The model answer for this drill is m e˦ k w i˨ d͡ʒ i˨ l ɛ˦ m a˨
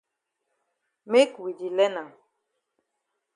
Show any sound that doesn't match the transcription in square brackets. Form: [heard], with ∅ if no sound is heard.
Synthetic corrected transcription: m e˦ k w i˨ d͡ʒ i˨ l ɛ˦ [n] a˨

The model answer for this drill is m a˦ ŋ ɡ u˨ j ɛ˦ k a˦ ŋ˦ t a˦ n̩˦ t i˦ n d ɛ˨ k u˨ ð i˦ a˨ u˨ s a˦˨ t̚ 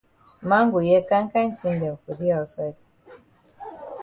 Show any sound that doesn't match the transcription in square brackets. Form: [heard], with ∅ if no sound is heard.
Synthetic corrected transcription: m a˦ ŋ ɡ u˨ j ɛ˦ k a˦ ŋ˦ [k] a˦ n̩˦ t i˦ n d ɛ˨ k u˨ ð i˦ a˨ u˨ s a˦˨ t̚

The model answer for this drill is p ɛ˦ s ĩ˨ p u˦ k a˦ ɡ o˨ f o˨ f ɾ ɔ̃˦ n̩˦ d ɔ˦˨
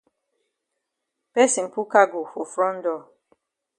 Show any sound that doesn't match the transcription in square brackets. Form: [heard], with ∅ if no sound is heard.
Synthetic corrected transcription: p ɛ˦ s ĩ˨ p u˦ k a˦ ɡ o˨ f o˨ f ɾ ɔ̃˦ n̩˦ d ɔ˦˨

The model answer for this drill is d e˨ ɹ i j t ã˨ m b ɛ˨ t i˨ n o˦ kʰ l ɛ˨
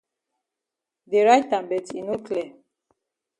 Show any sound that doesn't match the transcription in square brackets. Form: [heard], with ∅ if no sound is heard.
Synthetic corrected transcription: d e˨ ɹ [a] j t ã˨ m b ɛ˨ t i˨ n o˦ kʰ l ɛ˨

